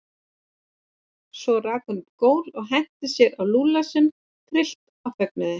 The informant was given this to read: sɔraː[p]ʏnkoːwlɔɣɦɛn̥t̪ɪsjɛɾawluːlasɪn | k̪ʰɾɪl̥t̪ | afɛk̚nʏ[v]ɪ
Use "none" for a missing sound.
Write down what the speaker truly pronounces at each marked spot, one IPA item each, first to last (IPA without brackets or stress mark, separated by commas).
k, ð